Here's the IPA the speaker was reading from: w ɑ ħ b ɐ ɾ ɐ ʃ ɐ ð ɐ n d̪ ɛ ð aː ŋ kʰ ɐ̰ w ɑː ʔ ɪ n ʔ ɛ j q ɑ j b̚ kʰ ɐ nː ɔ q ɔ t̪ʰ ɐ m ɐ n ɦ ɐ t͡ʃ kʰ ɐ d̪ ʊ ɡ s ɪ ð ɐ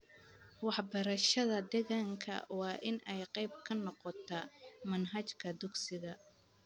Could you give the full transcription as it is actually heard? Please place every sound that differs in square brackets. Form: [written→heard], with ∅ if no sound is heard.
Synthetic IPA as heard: w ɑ ħ b ɐ ɾ ɐ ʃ ɐ ð ɐ [n→∅] d̪ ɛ [ð→ɣ] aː ŋ kʰ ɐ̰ w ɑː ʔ ɪ n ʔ ɛ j q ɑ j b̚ kʰ ɐ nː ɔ q ɔ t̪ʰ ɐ m ɐ n ɦ ɐ t͡ʃ kʰ ɐ d̪ ʊ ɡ s ɪ [ð→ɣ] ɐ